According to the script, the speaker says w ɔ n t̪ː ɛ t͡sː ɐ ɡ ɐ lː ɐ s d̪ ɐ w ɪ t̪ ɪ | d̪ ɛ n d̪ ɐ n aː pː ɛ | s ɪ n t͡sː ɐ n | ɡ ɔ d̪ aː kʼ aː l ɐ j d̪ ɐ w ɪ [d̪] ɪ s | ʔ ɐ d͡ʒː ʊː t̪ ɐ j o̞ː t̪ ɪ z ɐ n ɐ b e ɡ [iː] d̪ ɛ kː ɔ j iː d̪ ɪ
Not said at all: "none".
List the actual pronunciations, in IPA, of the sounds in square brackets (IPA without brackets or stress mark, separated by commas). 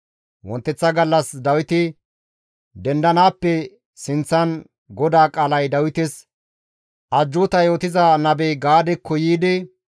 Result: t̪, aː